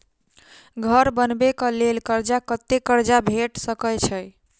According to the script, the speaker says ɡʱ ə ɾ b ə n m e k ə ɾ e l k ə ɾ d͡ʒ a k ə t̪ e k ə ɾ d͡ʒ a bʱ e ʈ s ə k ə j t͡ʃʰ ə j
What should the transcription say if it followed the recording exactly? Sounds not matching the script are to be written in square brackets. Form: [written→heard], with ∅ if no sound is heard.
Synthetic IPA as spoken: ɡʱ ə ɾ b ə n [m→b] e k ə [ɾ→l] e l k ə ɾ d͡ʒ a k ə t̪ e k ə ɾ d͡ʒ a bʱ e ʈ s ə k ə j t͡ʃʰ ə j